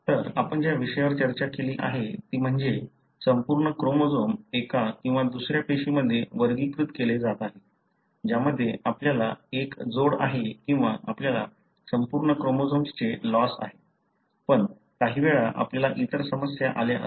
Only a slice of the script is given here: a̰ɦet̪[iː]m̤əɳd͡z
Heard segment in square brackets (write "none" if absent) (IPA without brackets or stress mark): iː